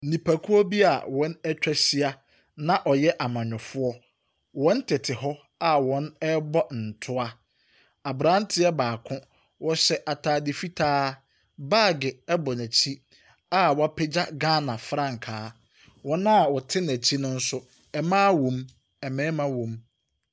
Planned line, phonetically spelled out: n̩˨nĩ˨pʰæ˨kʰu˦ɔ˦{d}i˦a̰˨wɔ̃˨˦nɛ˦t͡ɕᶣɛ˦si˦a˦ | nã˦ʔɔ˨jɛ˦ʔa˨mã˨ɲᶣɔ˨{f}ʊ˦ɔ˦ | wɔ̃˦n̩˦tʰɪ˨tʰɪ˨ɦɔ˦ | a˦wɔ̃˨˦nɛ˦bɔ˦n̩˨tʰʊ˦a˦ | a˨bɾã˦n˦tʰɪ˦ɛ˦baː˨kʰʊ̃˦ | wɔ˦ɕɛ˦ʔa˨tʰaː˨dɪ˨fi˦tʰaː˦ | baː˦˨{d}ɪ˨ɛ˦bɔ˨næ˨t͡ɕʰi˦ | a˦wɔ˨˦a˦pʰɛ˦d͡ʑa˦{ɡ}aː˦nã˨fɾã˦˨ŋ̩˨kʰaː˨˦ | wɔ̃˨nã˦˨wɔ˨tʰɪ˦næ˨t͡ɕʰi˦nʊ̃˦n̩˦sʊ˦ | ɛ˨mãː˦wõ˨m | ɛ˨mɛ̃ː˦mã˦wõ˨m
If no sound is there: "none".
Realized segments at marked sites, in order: b, f, ɡ, ɡ

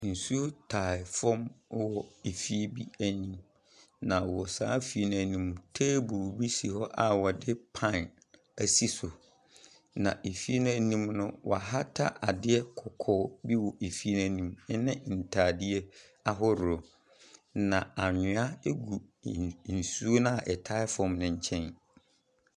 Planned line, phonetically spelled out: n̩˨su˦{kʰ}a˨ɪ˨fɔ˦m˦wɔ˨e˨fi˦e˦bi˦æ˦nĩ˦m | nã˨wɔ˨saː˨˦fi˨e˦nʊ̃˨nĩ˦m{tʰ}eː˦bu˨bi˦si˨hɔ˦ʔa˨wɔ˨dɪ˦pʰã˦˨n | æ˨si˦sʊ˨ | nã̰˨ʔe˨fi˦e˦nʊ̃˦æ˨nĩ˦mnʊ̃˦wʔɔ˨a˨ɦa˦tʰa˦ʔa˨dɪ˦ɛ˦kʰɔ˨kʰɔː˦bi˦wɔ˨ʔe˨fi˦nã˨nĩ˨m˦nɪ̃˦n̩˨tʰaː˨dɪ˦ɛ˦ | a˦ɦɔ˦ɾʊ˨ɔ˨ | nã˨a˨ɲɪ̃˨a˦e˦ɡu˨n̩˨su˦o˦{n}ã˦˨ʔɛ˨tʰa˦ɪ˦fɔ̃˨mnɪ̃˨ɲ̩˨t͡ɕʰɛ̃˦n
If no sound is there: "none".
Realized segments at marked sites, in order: tʰ, tʰ, n

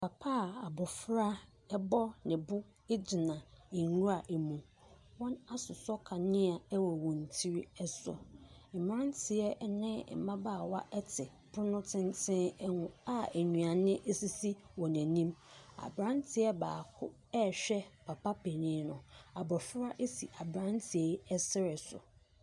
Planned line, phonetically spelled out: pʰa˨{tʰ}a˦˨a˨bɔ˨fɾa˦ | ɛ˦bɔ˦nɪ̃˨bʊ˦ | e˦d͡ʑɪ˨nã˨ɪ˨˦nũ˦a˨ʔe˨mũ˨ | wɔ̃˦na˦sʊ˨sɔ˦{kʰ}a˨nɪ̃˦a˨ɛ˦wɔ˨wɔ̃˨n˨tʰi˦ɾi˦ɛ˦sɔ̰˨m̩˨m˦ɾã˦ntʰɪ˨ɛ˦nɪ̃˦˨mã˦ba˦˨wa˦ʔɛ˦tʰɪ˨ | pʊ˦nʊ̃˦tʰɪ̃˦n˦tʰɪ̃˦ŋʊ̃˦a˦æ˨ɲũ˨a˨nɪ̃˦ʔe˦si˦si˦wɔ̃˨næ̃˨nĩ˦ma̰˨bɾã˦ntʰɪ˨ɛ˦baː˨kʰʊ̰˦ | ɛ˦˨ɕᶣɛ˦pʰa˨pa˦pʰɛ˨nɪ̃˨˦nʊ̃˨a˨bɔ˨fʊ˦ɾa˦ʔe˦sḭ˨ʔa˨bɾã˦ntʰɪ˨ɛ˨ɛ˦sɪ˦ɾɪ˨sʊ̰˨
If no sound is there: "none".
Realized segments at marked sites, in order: pʰ, kʰ

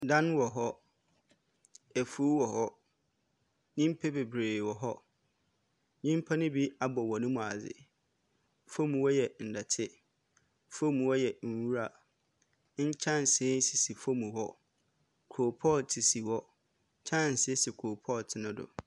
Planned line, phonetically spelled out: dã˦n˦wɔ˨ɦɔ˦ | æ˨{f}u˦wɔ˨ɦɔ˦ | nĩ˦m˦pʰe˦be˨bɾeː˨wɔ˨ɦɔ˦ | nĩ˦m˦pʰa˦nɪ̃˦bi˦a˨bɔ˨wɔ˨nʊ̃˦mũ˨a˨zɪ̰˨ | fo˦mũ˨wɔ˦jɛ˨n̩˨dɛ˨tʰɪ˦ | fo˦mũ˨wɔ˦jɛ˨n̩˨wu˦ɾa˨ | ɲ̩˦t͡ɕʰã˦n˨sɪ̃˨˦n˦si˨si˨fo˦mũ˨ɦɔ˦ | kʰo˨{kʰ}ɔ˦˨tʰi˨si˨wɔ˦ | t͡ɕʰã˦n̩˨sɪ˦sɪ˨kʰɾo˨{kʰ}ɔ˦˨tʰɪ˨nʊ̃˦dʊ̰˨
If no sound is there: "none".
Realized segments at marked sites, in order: f, pʰ, pʰ

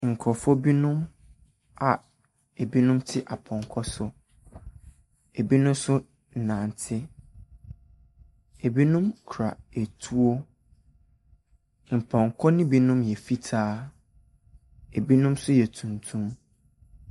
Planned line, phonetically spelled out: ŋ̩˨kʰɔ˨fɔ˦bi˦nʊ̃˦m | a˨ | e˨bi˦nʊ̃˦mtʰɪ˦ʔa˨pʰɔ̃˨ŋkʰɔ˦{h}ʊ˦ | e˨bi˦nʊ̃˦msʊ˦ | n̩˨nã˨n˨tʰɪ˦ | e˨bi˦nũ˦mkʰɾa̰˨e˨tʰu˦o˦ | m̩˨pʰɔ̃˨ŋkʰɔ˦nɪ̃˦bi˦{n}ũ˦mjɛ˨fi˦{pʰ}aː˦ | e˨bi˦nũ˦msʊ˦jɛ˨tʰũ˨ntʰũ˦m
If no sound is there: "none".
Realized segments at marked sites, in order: s, n, tʰ

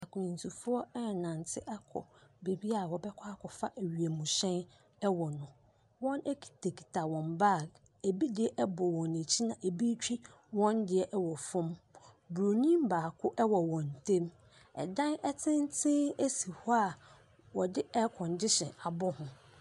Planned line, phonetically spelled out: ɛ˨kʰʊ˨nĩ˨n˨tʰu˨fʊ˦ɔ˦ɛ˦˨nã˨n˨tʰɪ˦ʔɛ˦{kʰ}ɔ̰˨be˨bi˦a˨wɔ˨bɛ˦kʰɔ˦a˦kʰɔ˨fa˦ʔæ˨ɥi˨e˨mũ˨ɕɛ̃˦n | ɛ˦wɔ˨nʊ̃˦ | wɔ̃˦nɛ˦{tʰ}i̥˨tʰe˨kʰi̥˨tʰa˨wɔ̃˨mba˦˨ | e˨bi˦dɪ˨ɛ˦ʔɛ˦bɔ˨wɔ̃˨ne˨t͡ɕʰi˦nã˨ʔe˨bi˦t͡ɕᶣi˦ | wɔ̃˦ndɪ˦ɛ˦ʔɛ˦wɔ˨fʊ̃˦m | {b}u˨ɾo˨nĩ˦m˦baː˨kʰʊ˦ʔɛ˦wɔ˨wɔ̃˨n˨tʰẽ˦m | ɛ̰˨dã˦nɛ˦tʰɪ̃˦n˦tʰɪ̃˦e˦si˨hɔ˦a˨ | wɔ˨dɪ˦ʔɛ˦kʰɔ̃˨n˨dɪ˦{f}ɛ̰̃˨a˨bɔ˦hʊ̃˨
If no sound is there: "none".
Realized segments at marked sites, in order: kʰ, kʰ, b, ɕ

